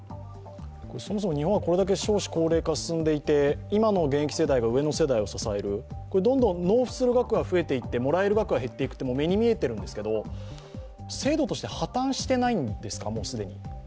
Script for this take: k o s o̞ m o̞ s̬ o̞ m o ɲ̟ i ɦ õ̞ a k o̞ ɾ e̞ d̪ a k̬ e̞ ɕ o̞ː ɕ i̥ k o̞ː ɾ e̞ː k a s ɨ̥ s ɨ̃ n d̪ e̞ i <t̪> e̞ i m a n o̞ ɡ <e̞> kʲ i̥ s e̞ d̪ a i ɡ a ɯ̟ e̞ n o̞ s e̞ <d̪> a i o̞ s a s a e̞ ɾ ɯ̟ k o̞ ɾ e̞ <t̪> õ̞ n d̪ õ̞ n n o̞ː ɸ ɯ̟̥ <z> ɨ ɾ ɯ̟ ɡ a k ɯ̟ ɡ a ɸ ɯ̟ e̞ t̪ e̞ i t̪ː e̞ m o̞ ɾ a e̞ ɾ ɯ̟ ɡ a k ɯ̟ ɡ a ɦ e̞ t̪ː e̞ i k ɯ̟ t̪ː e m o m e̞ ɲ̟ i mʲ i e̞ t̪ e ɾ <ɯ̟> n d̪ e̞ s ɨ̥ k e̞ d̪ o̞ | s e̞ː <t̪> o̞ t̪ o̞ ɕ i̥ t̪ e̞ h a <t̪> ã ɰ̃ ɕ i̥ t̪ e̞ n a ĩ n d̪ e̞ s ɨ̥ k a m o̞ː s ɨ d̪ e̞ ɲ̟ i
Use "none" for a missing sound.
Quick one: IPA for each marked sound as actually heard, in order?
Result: t̪, ẽ̞, d̪, d̪, s, ɯ̟̃, d̪, t̪

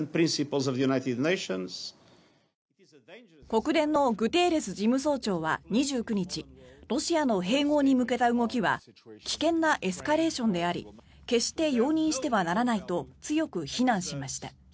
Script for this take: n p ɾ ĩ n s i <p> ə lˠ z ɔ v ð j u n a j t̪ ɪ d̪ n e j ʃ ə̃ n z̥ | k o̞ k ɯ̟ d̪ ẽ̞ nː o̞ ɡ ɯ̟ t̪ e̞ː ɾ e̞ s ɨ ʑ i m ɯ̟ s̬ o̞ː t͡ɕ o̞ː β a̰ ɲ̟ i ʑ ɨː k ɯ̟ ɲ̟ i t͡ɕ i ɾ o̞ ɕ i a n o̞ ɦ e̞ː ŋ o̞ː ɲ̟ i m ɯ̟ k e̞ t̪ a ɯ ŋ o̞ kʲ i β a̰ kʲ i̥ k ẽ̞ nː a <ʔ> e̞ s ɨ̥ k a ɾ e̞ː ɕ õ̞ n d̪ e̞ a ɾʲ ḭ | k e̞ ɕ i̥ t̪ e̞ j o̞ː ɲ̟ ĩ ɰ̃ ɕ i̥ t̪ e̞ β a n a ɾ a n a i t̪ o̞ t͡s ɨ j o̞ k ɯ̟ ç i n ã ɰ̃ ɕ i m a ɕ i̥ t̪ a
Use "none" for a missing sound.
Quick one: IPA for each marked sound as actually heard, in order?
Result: p, ʔ

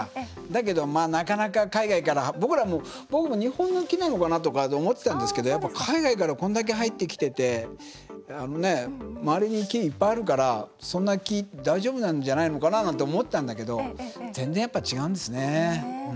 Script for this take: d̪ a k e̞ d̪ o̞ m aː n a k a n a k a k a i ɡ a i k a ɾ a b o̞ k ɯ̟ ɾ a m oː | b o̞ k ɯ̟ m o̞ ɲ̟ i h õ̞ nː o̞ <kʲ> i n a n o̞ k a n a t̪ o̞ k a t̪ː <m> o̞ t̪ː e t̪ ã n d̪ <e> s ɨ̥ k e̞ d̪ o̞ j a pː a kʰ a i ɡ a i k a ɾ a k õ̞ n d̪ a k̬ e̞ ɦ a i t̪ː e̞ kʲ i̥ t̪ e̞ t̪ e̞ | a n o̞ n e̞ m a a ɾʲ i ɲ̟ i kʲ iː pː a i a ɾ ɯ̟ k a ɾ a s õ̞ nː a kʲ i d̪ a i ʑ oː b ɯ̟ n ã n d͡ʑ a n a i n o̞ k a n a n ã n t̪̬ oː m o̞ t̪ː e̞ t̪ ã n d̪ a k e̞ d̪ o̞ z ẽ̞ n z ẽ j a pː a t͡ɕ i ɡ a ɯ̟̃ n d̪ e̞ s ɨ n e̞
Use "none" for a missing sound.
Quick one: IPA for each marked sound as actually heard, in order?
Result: kʲ, m, e

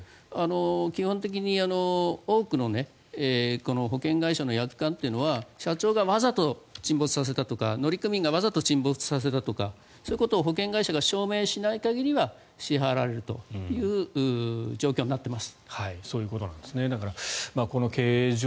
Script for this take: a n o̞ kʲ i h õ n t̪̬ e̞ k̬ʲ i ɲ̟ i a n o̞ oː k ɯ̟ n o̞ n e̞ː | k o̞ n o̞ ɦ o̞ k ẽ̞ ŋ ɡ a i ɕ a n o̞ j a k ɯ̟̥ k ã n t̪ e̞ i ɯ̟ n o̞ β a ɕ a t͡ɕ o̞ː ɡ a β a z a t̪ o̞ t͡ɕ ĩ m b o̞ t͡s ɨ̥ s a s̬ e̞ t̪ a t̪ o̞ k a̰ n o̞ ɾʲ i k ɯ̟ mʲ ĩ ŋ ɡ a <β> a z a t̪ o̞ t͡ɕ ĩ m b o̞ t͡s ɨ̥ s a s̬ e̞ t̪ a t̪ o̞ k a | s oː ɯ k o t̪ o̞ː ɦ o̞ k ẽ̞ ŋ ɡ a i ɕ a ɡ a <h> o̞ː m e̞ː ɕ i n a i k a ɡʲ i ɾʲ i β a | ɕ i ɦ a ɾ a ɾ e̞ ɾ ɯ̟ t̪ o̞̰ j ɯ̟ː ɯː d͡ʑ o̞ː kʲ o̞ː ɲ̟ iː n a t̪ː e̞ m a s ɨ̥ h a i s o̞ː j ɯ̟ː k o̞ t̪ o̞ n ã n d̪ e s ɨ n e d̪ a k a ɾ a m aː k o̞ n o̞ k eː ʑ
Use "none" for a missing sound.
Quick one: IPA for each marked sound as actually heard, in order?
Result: β, ɕ

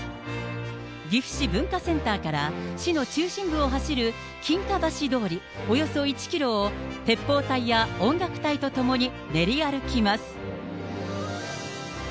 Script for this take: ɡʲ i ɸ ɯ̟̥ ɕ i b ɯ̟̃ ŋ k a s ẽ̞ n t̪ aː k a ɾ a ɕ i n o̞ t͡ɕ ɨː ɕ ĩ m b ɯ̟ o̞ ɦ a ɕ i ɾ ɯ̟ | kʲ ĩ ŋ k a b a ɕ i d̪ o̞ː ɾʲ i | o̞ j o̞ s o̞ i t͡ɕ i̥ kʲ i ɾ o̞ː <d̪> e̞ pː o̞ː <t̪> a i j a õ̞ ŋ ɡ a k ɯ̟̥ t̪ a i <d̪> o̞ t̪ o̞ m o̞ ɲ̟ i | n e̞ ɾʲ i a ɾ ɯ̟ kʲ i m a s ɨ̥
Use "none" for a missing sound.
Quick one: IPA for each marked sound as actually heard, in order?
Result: t̪, t̪, t̪

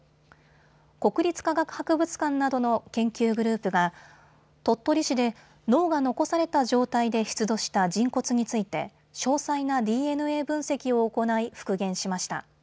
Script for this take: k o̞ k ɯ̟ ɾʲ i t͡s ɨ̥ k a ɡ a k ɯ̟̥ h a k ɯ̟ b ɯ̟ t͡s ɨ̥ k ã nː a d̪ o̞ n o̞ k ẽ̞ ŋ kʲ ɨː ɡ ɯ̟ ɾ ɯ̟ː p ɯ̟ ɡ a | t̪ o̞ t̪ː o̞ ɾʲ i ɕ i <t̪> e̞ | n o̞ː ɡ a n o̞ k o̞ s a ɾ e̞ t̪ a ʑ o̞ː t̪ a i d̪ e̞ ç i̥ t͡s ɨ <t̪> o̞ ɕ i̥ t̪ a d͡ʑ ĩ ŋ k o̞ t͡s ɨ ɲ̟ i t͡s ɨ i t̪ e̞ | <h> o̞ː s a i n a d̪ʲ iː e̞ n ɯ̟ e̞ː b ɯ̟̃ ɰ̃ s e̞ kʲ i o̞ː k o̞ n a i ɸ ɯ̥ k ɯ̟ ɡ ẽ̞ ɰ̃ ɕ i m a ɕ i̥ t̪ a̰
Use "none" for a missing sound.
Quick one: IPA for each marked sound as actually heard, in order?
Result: d̪, d̪, ɕ

